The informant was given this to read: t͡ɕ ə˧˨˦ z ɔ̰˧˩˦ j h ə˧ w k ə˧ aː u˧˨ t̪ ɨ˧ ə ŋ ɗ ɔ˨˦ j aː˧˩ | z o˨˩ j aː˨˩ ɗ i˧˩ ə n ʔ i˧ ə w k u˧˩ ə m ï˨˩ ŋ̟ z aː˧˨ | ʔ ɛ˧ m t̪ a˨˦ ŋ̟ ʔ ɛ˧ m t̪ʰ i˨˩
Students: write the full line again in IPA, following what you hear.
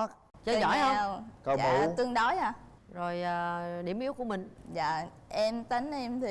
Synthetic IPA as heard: t͡ɕ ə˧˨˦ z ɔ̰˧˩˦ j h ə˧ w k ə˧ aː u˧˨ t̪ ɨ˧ ə ŋ ɗ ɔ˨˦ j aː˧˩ | z o˨˩ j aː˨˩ ɗ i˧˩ ə m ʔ i˦˥ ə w k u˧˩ ə m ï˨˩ ŋ̟ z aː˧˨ | ʔ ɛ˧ m t̪ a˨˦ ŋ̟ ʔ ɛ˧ m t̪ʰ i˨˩